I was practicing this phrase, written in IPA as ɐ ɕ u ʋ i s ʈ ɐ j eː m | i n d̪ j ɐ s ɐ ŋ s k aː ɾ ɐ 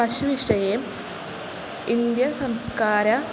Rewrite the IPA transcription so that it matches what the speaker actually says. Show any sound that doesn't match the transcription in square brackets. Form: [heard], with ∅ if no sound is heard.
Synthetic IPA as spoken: ɐ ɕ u ʋ i [ʂ] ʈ ɐ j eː m | i n d̪ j ɐ s ɐ [m] s k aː ɾ ɐ

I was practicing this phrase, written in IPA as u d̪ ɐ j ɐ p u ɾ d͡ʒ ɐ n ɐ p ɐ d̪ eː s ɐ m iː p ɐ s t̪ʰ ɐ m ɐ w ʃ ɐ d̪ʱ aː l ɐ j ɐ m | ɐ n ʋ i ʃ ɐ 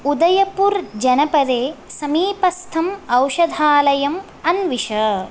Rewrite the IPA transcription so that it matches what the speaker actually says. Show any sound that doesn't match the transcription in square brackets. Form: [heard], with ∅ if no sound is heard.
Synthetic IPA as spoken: u d̪ ɐ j ɐ p u ɾ d͡ʒ ɐ n ɐ p ɐ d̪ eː s ɐ m iː p ɐ s t̪ʰ ɐ m ɐ w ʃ ɐ d̪ʱ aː l ɐ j ɐ m | ɐ n ʋ i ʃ ɐ

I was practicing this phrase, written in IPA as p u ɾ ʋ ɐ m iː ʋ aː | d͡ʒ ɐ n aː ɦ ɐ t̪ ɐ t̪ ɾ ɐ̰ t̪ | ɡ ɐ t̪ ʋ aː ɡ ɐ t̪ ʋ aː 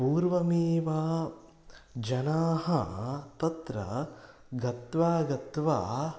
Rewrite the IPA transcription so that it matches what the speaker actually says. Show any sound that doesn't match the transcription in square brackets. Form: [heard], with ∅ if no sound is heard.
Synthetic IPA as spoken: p [uː] ɾ ʋ ɐ m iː ʋ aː | d͡ʒ ɐ n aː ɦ ɐ t̪ ɐ t̪ ɾ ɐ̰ [∅] | ɡ ɐ t̪ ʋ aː ɡ ɐ t̪ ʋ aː

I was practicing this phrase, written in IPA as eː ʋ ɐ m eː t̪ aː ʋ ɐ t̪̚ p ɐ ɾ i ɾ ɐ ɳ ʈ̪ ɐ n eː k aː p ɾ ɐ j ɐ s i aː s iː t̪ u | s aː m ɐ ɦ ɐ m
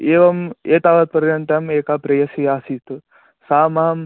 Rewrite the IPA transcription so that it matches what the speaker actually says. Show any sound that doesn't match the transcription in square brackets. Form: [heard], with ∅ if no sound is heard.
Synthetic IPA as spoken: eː ʋ ɐ m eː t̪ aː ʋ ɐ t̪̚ p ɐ ɾ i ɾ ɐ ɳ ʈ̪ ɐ [m] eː k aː p ɾ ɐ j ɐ s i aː s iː t̪ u | s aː m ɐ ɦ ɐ m

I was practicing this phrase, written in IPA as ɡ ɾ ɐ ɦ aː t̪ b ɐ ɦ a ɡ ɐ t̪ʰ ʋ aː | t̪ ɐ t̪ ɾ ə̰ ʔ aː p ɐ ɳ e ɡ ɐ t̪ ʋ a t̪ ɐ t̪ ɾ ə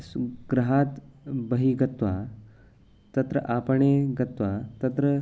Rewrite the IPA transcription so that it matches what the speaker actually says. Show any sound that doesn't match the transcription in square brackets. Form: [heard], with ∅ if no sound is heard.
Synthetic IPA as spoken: ɡ ɾ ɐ ɦ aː t̪ b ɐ ɦ [i] ɡ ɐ [t̪] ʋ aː | t̪ ɐ t̪ ɾ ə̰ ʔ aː p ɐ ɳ e ɡ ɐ t̪ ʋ a t̪ ɐ t̪ ɾ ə

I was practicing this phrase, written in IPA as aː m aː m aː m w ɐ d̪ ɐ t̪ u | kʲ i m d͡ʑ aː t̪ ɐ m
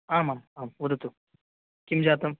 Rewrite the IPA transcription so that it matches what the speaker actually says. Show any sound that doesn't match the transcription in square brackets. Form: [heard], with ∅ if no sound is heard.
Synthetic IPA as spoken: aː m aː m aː m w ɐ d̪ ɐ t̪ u | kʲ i m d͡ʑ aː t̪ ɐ m

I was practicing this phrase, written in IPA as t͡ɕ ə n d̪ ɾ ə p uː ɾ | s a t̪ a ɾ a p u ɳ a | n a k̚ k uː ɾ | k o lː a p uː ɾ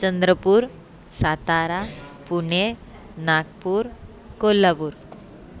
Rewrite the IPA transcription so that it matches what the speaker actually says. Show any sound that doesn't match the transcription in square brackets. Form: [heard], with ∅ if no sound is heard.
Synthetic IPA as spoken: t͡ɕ ə n d̪ ɾ ə p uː ɾ | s a t̪ a ɾ a p u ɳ [e] | n a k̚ [p] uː ɾ | k o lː a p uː ɾ

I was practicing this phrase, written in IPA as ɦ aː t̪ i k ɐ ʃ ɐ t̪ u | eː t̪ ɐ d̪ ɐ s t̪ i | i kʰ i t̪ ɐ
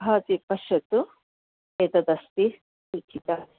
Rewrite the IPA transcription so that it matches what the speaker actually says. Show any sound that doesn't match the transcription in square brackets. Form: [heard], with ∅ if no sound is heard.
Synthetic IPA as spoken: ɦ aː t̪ i [p] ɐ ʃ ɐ t̪ u | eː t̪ ɐ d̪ ɐ s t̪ i | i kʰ i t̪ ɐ

